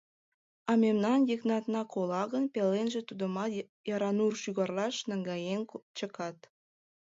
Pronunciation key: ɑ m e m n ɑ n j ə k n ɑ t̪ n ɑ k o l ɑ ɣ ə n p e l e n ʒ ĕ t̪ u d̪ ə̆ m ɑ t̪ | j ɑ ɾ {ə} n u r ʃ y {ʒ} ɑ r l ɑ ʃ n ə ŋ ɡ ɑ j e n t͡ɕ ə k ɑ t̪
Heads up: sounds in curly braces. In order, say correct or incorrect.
incorrect: ɑ, incorrect: ɣ

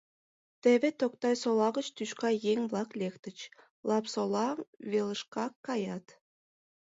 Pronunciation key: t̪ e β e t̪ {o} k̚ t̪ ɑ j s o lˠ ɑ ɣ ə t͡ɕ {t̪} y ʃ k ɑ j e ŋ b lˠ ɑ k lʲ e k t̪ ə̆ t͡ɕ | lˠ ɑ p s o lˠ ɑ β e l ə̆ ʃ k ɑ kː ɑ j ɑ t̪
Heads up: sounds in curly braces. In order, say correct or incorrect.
correct, correct

